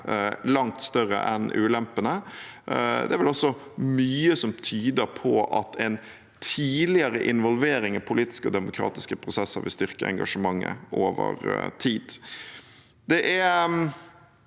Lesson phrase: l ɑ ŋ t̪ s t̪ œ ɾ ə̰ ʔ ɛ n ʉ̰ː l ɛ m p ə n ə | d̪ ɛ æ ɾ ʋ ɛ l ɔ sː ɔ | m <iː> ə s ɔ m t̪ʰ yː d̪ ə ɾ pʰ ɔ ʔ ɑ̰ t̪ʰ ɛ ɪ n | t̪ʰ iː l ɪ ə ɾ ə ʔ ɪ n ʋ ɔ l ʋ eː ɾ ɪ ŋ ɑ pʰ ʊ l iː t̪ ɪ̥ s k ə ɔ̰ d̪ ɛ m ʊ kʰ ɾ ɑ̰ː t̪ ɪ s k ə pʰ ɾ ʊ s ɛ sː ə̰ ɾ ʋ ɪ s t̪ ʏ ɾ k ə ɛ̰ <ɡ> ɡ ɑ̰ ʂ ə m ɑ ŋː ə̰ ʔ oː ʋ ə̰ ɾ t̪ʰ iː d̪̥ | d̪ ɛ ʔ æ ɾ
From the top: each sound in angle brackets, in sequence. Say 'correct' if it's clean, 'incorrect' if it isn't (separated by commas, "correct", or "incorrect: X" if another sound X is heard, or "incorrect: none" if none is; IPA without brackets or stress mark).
incorrect: yː, incorrect: ŋ